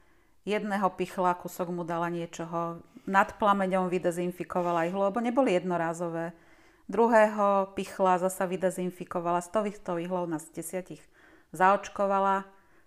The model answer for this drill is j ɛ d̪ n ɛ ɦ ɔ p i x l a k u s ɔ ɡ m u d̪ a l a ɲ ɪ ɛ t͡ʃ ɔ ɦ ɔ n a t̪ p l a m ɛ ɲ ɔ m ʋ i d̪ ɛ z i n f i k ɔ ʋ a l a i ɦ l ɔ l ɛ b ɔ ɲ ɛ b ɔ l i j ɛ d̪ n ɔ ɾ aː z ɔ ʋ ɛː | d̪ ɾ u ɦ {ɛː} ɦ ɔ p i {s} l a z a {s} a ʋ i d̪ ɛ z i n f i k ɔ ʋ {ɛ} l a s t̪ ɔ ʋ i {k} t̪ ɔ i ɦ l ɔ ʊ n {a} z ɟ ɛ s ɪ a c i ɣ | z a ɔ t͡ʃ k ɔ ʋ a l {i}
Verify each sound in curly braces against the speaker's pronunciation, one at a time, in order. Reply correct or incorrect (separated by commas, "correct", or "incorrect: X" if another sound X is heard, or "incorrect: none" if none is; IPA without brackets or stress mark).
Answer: correct, incorrect: x, correct, incorrect: a, incorrect: x, correct, incorrect: a